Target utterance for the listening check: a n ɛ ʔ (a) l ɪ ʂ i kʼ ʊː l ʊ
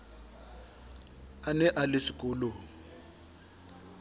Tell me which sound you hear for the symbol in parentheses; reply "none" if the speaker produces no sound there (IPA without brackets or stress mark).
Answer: a